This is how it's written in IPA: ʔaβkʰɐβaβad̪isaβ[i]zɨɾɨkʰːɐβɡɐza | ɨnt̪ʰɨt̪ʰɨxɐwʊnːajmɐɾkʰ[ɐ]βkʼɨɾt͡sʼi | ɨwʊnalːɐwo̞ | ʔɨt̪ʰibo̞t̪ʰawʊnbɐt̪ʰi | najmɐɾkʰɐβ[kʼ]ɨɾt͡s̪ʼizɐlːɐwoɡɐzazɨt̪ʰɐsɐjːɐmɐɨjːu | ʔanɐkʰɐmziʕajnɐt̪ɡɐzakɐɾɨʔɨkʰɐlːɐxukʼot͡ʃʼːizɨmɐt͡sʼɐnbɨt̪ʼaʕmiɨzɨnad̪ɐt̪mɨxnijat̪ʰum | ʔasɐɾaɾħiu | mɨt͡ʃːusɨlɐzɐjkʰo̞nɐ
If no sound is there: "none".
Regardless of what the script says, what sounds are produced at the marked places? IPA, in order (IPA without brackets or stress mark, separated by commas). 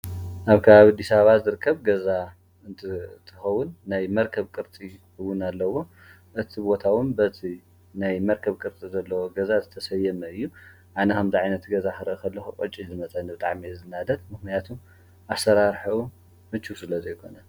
a, ɐ, kʼ